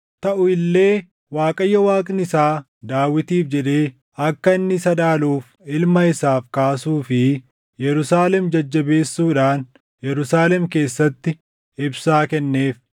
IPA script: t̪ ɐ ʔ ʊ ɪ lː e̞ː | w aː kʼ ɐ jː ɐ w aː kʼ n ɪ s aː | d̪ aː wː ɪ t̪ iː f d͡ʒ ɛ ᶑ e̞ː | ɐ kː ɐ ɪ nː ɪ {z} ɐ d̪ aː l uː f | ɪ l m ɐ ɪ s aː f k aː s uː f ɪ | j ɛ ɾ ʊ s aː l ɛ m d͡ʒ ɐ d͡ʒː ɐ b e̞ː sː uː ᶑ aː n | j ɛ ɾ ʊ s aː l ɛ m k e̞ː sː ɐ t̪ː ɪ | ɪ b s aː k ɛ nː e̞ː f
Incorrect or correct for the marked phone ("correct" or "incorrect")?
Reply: incorrect